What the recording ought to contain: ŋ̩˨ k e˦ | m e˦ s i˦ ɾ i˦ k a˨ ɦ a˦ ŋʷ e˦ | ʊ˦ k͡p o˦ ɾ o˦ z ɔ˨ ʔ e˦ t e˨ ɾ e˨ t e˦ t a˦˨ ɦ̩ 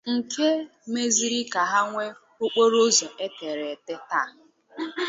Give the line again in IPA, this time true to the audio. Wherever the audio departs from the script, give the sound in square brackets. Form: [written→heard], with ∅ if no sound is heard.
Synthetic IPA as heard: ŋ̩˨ k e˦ | m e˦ [s→z] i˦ ɾ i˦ k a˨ ɦ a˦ ŋʷ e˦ | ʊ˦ k͡p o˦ ɾ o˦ z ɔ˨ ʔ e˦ t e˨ ɾ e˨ t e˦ t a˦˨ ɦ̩